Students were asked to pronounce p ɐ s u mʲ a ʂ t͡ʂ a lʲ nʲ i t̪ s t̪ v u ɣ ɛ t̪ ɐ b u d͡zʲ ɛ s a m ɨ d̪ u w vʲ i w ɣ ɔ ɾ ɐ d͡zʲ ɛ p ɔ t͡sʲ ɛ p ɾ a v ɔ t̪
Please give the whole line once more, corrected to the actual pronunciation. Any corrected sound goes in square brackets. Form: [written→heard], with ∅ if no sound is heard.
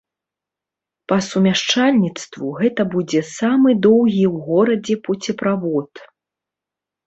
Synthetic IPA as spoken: p ɐ s u mʲ a ʂ t͡ʂ a lʲ nʲ i t̪ s t̪ v u ɣ ɛ t̪ ɐ b u d͡zʲ ɛ s a m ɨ d̪ [u→ɔ] w [vʲ→ɣʲ] i w ɣ ɔ ɾ ɐ d͡zʲ ɛ p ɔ t͡sʲ ɛ p ɾ a v ɔ t̪